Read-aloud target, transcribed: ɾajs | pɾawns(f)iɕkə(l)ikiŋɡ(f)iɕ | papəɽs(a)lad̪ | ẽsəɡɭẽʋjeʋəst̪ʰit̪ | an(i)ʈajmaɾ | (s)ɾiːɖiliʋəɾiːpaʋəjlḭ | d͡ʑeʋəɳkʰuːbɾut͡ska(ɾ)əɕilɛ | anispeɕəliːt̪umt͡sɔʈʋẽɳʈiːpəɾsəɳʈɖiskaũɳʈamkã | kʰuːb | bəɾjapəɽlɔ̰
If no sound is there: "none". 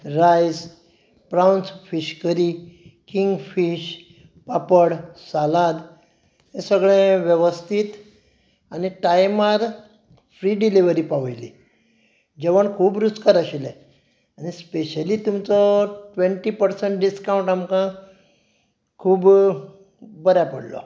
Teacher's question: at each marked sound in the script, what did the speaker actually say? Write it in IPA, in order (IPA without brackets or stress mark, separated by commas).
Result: f, ɾ, f, a, i, f, ɾ